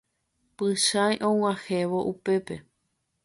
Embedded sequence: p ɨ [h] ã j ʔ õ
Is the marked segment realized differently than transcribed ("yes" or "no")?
yes